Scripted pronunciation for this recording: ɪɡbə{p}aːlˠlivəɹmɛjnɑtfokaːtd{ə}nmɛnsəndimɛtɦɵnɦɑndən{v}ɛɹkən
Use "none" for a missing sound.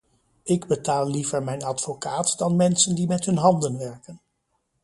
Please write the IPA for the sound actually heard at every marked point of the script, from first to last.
t, ɑ, ʋ

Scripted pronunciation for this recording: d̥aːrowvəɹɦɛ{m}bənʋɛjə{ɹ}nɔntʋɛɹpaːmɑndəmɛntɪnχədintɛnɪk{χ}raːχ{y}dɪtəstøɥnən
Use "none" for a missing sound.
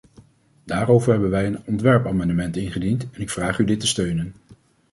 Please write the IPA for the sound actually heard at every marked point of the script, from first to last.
none, none, f, y

